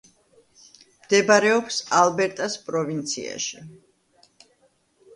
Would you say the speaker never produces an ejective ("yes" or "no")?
no